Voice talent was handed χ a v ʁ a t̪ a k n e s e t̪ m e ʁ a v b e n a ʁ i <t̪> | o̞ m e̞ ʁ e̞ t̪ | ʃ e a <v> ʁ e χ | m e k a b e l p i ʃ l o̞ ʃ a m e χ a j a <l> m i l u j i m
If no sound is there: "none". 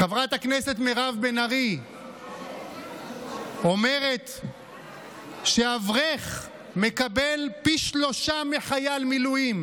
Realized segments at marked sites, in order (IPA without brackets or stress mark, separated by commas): none, v, l